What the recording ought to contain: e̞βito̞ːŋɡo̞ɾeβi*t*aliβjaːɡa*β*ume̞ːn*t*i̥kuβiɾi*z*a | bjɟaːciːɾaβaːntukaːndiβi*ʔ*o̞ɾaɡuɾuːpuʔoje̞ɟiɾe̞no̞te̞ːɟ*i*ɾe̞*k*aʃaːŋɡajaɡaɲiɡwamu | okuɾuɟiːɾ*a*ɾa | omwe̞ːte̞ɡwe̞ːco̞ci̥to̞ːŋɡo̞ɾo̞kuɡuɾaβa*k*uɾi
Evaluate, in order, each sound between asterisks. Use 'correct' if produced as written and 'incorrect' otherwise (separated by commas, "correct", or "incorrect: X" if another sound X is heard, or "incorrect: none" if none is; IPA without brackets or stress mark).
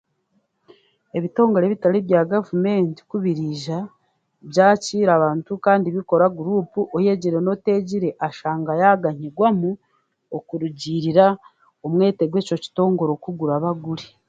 correct, incorrect: v, correct, incorrect: ʒ, incorrect: k, correct, incorrect: ʔ, incorrect: i, incorrect: ɡ